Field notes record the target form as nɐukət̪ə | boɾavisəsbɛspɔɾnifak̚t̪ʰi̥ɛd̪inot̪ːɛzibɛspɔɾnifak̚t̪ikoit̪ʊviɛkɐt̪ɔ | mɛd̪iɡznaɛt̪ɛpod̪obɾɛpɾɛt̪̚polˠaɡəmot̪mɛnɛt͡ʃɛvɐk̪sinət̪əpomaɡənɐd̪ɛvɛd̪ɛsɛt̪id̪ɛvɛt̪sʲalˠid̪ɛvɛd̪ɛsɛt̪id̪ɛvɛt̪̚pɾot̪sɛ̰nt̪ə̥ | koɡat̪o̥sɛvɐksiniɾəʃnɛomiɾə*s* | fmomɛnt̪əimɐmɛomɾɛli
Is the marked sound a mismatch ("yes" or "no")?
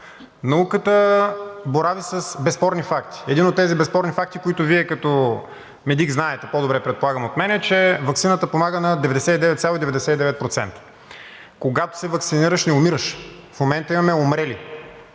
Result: yes